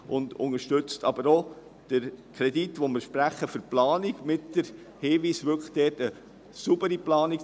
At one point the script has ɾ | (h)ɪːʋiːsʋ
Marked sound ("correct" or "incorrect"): correct